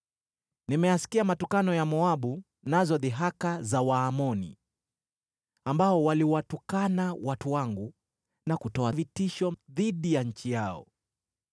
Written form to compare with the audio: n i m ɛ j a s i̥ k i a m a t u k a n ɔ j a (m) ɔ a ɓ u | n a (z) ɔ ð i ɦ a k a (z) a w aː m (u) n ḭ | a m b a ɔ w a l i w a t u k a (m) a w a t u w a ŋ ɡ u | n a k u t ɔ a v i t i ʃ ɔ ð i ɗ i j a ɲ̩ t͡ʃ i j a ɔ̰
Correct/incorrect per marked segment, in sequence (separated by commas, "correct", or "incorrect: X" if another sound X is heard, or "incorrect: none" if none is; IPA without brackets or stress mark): correct, correct, correct, incorrect: ɔ, incorrect: n